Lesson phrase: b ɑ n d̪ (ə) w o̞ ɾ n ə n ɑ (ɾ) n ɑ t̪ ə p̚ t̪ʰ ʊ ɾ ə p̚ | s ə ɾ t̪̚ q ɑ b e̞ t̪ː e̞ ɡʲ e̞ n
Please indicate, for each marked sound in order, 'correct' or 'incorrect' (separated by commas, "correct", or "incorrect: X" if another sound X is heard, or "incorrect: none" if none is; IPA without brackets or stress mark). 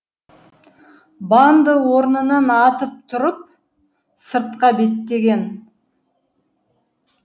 correct, incorrect: none